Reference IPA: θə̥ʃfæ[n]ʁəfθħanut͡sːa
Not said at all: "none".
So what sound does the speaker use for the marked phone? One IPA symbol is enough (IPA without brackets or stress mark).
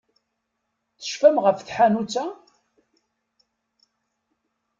m